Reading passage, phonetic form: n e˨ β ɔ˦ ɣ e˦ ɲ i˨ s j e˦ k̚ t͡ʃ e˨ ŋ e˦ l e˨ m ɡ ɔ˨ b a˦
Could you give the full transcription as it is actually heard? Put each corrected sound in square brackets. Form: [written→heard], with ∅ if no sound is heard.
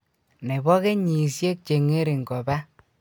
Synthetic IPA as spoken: n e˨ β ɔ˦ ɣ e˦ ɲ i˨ s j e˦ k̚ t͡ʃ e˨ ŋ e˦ [l→ɾ] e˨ [m→ŋ] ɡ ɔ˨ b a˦